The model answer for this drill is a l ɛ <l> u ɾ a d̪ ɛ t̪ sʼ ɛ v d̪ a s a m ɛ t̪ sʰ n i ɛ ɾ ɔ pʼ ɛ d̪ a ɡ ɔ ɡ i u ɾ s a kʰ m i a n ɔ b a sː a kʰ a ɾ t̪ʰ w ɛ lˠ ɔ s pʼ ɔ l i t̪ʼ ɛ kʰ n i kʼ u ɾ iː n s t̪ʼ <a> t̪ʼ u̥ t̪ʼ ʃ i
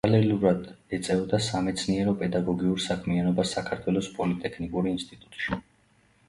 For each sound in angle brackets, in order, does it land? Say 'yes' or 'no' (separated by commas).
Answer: yes, no